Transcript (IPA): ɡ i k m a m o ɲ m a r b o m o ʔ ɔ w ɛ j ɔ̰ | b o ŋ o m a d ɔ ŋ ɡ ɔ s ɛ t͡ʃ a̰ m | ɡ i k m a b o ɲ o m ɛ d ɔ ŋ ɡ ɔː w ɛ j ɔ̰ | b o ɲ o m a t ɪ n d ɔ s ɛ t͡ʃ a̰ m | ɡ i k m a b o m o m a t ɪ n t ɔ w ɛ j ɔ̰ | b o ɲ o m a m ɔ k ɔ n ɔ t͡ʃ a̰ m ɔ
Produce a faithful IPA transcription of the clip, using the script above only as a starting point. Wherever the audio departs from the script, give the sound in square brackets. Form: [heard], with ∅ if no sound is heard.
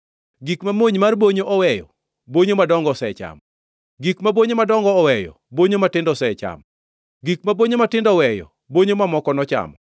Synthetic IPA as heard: ɡ i k m a m o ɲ m a r b o [ɲ] o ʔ ɔ w ɛ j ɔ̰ | b o [ɲ] o m a d ɔ ŋ ɡ ɔ s ɛ t͡ʃ a̰ m | ɡ i k m a b o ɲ o m [a] d ɔ ŋ ɡ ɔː w ɛ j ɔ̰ | b o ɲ o m a t ɪ n d ɔ s ɛ t͡ʃ a̰ m | ɡ i k m a b o [ɲ] o m a t ɪ n [d] ɔ w ɛ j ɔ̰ | b o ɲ o m a m ɔ k ɔ n ɔ t͡ʃ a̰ m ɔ